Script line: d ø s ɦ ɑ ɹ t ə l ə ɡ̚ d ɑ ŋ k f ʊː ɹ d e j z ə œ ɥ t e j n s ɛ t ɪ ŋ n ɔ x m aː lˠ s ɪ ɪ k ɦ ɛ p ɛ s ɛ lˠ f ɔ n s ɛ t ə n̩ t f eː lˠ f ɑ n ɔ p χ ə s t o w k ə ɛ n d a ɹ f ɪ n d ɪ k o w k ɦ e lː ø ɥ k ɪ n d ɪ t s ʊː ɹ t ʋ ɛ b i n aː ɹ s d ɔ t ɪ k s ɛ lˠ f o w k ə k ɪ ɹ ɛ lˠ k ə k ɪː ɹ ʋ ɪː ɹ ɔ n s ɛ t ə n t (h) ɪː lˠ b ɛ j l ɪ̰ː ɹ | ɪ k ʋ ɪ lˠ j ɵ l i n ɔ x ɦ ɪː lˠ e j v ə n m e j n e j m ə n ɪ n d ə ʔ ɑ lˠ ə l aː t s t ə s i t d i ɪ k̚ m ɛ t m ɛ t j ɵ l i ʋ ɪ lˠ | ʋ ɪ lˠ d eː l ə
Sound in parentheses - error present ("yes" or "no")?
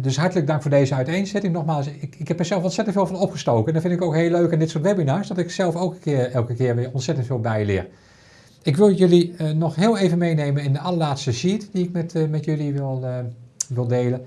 yes